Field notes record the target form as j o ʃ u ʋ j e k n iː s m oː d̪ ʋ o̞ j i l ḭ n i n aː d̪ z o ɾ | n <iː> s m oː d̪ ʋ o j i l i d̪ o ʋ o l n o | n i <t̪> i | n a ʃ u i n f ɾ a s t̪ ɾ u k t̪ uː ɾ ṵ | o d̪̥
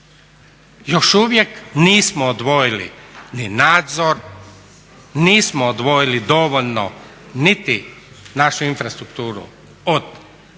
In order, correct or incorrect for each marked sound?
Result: correct, correct

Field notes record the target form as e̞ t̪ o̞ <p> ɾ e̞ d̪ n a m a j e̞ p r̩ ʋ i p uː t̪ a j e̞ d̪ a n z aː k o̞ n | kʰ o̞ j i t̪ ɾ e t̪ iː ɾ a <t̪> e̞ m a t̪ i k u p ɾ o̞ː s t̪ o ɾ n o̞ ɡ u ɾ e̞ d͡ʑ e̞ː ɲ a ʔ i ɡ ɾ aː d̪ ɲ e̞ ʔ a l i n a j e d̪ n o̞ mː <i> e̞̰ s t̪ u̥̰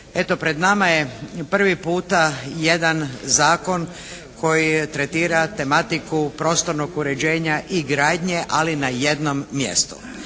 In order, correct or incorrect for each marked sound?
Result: correct, correct, incorrect: j

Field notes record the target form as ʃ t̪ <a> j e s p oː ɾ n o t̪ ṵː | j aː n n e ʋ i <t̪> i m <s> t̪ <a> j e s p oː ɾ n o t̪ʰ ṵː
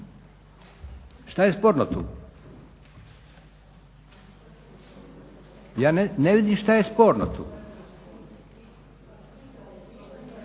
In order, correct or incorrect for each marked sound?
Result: correct, incorrect: d̪, incorrect: ʃ, correct

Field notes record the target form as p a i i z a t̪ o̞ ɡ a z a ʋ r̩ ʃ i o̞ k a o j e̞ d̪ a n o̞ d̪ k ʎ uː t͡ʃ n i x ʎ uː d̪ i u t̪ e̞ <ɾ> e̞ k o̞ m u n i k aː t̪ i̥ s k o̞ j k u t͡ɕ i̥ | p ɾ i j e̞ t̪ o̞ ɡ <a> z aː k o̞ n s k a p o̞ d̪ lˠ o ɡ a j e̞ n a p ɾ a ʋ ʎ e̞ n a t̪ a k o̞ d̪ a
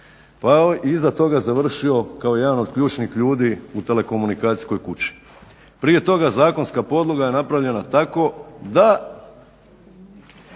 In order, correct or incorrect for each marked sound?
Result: incorrect: l, correct

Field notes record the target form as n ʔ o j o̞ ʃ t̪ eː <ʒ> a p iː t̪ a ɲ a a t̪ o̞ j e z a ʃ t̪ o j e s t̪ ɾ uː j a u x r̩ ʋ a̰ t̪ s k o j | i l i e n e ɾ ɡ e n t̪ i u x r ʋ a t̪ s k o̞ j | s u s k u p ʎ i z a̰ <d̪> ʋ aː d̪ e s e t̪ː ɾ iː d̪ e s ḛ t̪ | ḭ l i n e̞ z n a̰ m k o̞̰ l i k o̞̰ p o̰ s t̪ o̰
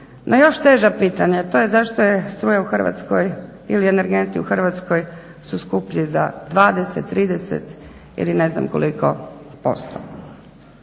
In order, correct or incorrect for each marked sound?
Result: correct, correct

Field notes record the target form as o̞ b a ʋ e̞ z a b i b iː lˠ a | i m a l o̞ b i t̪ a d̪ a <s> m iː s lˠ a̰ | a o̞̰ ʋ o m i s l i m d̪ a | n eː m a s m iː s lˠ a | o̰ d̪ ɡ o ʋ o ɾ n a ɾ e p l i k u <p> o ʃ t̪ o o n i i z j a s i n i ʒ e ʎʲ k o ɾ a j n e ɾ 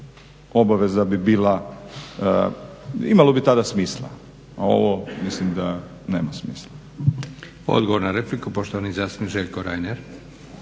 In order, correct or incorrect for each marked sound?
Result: correct, correct

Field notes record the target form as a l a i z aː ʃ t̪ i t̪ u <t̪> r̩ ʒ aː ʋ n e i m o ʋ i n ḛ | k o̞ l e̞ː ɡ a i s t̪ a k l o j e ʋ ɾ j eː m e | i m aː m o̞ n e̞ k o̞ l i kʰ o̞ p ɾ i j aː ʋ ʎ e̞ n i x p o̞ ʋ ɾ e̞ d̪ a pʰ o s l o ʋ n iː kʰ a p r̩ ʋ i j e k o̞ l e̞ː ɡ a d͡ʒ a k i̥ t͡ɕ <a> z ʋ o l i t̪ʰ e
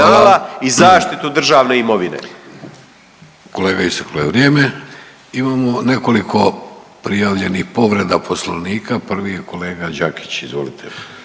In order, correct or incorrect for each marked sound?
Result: incorrect: d̪, incorrect: i

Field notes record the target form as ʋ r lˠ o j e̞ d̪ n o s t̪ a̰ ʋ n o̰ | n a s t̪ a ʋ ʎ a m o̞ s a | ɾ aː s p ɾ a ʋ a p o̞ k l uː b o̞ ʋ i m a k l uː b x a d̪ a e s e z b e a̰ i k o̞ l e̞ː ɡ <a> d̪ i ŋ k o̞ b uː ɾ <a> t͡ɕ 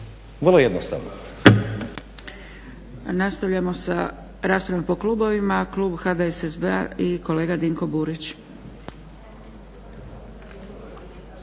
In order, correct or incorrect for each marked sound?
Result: correct, incorrect: i

